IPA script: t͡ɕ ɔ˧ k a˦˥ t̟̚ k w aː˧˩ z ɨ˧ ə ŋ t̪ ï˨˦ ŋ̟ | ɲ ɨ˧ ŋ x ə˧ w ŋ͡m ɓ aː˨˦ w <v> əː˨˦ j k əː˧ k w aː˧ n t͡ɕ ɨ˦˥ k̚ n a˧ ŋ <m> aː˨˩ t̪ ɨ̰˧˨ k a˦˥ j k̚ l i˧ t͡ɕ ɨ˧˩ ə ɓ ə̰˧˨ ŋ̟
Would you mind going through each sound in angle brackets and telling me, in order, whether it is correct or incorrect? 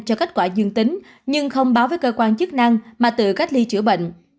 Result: correct, correct

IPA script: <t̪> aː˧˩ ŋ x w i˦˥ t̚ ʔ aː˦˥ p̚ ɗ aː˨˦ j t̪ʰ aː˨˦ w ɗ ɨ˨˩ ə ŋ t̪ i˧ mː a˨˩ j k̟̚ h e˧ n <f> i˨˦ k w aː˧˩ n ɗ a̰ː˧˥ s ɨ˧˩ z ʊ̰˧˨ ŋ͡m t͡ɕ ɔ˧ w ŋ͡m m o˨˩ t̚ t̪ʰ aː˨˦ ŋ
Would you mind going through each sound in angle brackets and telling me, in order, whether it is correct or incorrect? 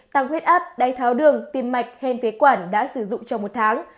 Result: correct, correct

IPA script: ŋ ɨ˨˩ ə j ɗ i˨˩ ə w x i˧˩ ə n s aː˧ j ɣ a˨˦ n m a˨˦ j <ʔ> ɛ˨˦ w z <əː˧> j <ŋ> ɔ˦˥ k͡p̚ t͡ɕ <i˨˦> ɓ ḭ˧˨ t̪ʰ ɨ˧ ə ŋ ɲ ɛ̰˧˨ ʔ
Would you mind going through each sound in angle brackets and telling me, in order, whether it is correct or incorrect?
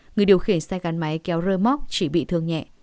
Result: incorrect: k, correct, incorrect: m, incorrect: i˧˩

